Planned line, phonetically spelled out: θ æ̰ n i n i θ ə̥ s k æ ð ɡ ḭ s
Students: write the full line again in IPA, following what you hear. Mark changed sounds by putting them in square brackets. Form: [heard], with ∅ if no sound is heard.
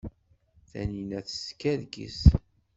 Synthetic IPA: θ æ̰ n i n [æ] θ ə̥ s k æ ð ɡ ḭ s